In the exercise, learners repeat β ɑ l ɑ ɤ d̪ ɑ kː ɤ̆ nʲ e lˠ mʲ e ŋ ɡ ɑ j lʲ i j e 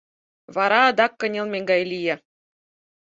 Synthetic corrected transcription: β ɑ ɾ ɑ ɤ d̪ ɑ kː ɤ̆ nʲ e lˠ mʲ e ŋ ɡ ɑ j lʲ i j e